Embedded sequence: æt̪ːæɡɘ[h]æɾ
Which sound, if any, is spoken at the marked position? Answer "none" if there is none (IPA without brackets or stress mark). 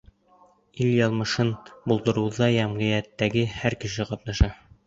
h